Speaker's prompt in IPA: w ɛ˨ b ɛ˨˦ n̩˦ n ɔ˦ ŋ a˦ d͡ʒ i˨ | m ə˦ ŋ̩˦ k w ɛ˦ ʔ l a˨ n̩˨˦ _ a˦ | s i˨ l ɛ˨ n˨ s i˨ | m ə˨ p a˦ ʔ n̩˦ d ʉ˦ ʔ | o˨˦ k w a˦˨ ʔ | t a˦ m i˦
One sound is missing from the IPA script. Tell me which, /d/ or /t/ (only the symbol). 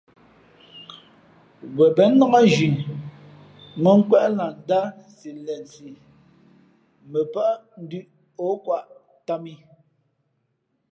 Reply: d